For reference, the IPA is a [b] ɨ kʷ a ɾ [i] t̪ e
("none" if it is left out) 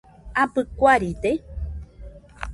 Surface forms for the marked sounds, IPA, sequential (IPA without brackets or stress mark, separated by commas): p, i